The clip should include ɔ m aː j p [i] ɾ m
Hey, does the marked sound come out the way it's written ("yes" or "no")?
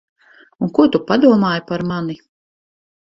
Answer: no